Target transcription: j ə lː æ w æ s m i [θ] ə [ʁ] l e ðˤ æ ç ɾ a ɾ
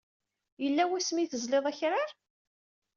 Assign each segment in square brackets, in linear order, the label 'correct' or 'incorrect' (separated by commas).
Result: correct, incorrect